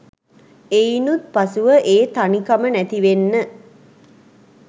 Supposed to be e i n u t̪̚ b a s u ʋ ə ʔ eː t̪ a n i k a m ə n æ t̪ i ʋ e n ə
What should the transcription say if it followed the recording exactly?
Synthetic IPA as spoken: e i n u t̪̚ p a s u ʋ ə ʔ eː t̪ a n i k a m ə n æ t̪ i ʋ e nː ə